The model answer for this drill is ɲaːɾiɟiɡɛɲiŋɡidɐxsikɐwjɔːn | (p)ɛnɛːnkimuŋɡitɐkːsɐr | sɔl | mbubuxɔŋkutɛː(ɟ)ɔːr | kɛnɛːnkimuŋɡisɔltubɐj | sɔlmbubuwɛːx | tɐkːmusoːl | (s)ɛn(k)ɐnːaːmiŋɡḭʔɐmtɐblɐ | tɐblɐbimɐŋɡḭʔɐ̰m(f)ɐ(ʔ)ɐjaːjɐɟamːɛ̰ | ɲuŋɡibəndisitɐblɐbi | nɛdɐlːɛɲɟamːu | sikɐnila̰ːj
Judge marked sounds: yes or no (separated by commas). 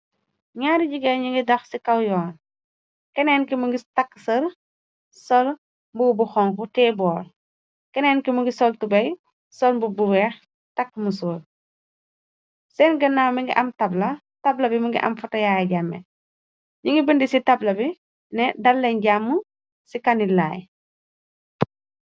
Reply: no, no, yes, no, yes, no